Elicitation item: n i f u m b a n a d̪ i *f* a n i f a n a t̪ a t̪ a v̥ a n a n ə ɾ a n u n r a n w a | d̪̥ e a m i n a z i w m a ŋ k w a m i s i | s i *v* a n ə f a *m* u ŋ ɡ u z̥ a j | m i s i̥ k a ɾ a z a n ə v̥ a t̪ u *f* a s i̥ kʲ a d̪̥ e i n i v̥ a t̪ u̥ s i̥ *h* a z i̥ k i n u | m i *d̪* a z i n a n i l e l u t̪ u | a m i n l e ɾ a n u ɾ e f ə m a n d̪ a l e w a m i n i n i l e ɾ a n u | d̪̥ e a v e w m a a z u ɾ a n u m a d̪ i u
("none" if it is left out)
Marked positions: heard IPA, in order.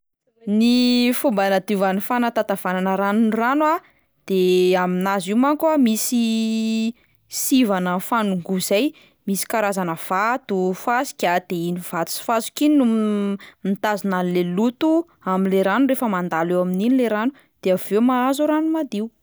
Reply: v, v, n, f, f, t̪

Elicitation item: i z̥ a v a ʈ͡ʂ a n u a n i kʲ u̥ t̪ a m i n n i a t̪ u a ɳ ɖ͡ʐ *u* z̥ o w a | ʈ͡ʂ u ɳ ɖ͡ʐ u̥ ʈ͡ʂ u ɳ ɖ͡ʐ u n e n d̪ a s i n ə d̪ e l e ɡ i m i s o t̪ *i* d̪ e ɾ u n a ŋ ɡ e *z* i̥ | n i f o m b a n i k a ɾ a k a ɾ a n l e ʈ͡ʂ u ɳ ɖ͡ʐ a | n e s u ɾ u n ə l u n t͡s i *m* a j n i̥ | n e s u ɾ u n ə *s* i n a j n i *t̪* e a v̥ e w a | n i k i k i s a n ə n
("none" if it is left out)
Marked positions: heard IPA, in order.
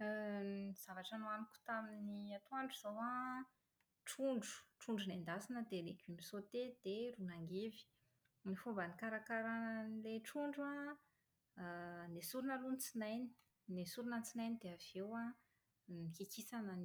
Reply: u, e, v, n, t͡s, d̪

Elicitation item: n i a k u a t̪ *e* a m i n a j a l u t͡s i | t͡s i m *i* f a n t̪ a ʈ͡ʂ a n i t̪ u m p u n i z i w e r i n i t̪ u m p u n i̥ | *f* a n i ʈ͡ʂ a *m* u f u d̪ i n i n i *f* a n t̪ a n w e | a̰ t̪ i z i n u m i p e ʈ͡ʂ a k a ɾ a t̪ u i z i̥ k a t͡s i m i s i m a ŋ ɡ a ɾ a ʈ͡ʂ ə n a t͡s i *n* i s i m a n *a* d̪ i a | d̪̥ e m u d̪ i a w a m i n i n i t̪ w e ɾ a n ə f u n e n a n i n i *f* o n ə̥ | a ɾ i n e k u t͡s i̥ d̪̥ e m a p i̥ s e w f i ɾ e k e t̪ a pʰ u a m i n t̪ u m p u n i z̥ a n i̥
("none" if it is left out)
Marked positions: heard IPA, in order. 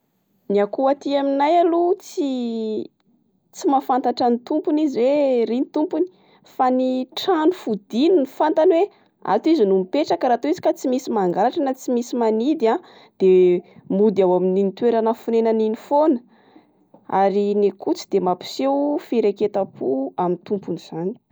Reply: i, a, f, n, f, m, i, f

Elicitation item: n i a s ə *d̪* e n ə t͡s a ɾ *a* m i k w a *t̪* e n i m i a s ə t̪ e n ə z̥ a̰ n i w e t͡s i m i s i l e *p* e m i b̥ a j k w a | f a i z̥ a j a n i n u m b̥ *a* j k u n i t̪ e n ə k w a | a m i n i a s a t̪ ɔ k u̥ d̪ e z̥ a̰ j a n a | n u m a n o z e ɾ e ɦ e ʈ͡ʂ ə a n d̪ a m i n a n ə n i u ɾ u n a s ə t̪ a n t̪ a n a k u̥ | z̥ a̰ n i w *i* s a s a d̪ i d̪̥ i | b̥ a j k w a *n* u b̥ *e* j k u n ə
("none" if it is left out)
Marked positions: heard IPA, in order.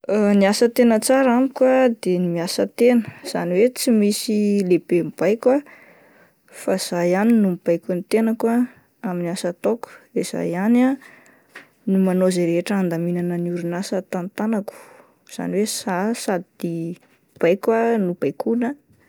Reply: t̪, a, d̪, b, a, e, n, a

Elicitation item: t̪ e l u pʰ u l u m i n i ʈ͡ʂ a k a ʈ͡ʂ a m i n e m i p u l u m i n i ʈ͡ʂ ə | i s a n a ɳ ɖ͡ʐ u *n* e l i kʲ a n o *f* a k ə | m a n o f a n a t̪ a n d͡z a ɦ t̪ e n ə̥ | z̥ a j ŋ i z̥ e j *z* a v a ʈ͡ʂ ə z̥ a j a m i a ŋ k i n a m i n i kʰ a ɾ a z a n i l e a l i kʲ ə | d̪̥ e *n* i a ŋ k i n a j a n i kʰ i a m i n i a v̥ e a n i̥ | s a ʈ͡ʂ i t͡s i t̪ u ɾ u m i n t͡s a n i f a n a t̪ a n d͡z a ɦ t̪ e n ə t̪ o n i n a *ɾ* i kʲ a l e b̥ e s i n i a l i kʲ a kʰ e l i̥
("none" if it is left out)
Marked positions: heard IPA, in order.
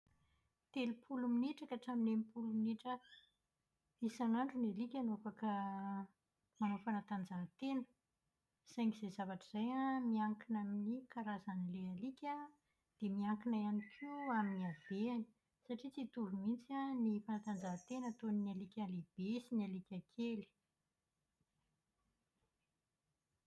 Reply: n, f, z, m, l

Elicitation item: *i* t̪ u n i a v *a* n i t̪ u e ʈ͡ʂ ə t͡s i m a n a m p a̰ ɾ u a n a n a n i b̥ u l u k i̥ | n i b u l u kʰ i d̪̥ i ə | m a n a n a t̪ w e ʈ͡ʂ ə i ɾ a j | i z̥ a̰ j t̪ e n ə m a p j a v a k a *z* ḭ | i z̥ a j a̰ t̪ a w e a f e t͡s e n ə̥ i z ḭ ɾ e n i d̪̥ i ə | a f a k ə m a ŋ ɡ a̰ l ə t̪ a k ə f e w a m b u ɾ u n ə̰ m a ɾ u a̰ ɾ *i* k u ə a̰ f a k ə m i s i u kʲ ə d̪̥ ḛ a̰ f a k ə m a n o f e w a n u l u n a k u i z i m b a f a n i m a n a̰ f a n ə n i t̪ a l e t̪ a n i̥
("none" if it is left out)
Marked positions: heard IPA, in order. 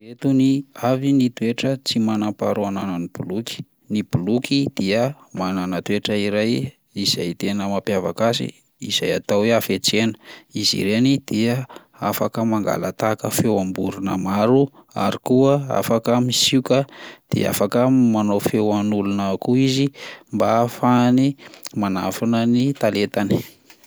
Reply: e, i, s, i

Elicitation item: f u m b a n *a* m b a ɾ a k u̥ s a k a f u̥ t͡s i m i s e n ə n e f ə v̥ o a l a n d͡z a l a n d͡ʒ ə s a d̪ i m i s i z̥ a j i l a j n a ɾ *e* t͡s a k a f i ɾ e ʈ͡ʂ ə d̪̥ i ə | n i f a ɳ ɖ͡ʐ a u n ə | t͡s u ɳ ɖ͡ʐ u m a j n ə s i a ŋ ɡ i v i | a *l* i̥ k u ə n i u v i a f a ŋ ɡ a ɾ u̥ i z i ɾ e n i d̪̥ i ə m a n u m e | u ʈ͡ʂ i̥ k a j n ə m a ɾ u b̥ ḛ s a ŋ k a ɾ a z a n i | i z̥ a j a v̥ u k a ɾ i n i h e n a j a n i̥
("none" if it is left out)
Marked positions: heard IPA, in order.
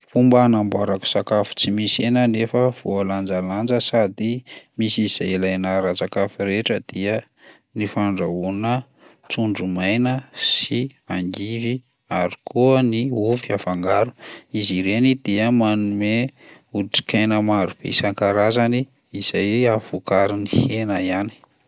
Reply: a, a, ɾ

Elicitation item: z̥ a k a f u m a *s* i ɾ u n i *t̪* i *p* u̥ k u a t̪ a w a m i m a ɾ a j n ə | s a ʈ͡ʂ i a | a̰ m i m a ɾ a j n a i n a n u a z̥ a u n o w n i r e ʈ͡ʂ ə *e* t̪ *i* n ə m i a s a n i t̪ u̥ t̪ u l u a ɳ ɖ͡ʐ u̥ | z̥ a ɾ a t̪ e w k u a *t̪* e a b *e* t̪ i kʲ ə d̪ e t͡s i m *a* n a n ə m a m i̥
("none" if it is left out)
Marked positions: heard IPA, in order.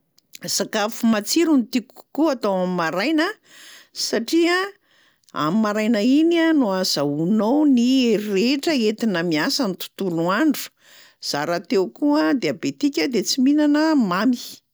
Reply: t͡s, t̪, k, e, i, d̪, e, i

